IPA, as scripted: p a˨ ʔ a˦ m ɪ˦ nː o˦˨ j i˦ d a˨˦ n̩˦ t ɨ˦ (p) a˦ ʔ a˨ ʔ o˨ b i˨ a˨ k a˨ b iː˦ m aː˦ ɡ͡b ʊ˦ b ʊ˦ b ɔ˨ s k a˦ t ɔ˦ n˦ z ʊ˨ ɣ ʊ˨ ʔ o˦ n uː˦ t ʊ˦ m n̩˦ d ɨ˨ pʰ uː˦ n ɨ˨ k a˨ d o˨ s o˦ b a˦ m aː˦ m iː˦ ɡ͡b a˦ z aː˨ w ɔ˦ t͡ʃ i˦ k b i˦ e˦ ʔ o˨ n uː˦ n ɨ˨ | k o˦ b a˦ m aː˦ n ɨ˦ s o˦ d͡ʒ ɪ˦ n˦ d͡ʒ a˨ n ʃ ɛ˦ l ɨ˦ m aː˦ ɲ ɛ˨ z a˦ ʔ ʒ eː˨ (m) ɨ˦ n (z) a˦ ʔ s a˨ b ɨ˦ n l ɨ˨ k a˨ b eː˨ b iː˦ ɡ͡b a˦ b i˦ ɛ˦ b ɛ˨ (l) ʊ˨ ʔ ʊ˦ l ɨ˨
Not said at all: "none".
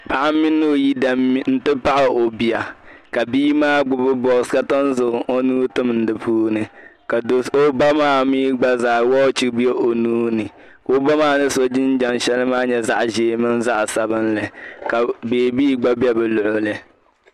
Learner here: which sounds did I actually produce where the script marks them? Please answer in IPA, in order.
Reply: p, m, z, l

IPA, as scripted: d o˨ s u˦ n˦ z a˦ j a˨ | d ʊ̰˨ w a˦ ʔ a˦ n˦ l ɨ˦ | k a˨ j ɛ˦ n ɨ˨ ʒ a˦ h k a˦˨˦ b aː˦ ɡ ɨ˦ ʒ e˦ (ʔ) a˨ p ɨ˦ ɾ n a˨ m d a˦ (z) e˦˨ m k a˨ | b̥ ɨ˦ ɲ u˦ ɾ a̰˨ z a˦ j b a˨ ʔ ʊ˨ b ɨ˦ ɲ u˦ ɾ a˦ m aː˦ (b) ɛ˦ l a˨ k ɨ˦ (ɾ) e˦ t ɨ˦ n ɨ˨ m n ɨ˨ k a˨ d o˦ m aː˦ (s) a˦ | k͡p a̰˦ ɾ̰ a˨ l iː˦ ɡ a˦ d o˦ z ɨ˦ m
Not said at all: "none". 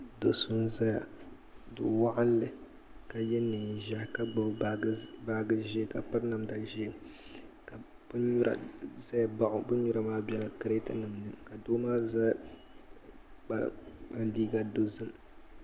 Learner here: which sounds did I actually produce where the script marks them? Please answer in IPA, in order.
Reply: k, ʒ, b, ɾ, z

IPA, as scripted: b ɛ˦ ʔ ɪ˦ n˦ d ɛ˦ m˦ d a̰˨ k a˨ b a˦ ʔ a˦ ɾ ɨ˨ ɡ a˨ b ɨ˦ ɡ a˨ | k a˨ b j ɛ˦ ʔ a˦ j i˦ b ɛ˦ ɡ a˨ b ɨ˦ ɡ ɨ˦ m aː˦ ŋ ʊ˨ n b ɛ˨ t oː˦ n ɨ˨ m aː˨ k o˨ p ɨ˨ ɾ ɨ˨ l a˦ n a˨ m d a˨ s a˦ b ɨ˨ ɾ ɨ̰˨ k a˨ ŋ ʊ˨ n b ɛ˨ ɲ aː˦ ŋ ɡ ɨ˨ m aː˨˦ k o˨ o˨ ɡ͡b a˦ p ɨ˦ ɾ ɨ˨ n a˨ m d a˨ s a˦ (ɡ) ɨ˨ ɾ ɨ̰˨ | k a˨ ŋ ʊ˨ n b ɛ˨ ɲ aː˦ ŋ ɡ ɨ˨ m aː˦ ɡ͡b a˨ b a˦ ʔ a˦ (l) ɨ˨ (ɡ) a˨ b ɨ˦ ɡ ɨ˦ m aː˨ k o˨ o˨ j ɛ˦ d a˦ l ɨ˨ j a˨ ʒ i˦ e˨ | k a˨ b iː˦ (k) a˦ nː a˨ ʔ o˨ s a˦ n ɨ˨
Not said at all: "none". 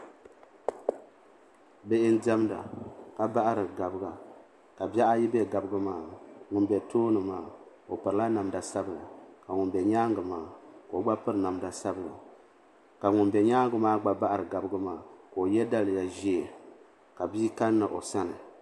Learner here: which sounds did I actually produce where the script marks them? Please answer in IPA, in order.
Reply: b, ɾ, ɡ, k

